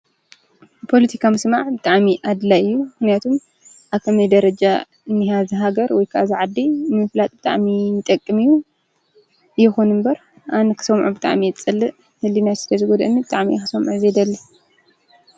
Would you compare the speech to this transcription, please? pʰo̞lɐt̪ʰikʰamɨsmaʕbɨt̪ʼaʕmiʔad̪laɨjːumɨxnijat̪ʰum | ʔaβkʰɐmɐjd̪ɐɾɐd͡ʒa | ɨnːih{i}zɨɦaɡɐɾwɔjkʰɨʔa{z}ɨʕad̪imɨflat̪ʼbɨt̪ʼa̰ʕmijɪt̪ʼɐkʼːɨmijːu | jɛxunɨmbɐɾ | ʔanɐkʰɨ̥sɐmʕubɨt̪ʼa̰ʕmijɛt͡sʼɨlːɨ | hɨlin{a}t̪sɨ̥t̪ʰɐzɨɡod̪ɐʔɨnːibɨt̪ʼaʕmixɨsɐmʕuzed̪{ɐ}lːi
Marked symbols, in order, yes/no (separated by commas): no, yes, yes, yes